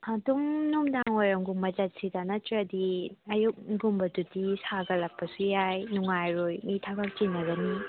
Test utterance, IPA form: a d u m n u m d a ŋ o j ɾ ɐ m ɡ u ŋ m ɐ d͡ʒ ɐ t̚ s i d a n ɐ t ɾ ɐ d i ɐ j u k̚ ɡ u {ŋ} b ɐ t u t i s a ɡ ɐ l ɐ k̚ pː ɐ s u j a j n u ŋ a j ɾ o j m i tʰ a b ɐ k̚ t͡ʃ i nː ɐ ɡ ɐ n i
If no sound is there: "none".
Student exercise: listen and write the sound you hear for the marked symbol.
m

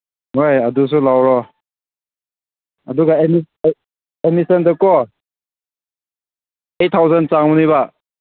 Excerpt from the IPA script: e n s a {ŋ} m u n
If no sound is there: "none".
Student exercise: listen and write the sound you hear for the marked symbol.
ŋ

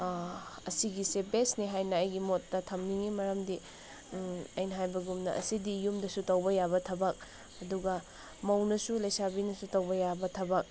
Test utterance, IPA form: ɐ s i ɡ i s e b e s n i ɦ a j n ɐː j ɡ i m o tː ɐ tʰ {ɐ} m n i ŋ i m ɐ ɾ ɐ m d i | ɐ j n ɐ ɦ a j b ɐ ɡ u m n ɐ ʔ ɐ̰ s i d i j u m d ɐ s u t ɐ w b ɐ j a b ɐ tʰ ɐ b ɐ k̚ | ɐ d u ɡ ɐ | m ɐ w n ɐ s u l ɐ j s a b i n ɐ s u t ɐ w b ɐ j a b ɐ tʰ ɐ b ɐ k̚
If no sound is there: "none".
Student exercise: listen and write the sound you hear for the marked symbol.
ɐ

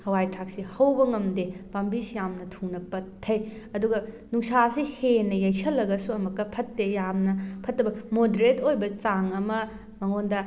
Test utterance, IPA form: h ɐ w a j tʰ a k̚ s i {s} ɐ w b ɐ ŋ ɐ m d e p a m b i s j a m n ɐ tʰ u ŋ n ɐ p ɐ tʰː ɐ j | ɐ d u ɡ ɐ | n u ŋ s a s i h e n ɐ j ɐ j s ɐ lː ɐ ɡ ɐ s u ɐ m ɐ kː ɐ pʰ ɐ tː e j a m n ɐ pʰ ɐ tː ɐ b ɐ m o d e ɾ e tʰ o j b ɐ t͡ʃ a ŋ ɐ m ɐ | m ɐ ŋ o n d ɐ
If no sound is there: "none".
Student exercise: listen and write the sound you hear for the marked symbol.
h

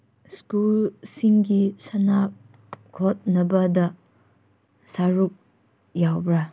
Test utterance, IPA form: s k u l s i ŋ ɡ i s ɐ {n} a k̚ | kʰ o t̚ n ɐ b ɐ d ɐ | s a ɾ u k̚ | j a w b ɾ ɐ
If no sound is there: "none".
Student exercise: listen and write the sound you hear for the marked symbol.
n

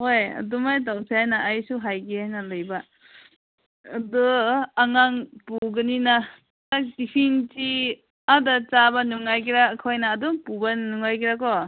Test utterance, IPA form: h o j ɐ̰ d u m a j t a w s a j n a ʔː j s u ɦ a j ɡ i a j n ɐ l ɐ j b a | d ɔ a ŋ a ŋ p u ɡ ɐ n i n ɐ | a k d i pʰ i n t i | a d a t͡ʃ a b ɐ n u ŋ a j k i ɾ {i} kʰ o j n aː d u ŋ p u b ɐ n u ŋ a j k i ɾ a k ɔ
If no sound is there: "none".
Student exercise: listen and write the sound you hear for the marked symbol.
a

